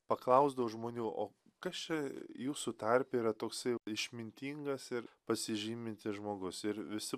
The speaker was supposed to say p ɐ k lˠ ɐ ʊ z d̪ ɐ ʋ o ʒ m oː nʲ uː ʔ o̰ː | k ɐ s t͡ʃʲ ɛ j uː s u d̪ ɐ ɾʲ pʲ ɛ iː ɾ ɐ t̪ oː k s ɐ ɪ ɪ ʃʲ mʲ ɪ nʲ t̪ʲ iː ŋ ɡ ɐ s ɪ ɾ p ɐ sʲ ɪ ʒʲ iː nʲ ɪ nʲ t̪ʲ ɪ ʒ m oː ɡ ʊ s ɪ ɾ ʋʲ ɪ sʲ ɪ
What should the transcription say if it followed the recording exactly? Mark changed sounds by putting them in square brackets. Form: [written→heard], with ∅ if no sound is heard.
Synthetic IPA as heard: p ɐ k lˠ ɐ ʊ z d̪ ɐ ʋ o ʒ m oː nʲ uː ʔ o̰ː | k ɐ s t͡ʃʲ ɛ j uː s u [d̪→t̪] ɐ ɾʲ pʲ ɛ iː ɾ ɐ t̪ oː k s ɐ ɪ ɪ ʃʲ mʲ ɪ nʲ t̪ʲ iː ŋ ɡ ɐ s ɪ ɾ p ɐ sʲ ɪ ʒʲ iː [nʲ→mʲ] ɪ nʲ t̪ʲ ɪ ʒ m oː ɡ ʊ s ɪ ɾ ʋʲ ɪ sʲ ɪ